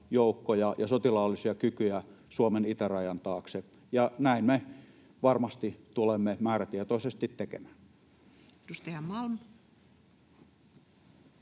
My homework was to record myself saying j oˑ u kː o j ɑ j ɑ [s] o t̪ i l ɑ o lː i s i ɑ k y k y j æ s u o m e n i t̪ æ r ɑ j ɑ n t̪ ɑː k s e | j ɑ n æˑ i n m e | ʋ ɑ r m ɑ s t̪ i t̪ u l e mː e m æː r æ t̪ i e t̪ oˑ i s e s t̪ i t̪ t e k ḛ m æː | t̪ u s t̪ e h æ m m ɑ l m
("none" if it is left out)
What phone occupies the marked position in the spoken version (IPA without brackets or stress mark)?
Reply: s